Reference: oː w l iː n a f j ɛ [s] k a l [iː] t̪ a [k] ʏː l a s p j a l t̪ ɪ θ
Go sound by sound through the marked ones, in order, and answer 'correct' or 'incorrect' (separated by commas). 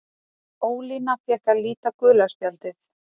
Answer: incorrect, correct, correct